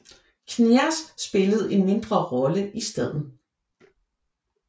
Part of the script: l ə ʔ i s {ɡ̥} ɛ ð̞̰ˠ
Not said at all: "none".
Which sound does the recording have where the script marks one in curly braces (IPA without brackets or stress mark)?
d̥